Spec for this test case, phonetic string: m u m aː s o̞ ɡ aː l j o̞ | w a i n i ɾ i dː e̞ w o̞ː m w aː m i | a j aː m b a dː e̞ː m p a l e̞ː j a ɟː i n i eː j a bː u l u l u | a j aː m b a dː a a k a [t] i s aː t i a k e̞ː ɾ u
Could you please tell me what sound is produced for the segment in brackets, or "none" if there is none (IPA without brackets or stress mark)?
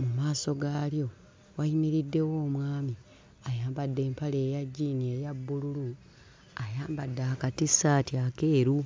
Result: t